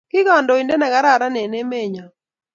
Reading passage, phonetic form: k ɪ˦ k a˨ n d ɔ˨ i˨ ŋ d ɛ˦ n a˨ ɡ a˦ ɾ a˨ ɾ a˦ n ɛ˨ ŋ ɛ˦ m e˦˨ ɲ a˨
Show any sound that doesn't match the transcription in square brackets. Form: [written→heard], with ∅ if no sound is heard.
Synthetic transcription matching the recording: k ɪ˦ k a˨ n d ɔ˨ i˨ [ŋ→n] d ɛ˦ n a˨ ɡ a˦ ɾ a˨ ɾ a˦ n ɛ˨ [ŋ→n] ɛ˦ m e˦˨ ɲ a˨